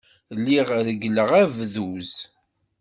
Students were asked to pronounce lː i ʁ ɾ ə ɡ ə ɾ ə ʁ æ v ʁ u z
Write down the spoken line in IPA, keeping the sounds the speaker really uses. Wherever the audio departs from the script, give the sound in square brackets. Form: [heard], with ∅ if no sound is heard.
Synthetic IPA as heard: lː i ʁ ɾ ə ɡ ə [l] ə ʁ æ v [ð] u z